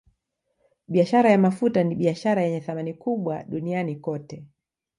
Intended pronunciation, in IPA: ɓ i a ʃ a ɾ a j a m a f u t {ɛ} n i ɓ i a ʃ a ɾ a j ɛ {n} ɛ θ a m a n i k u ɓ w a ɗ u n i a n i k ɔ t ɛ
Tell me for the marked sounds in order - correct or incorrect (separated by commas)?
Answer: incorrect, incorrect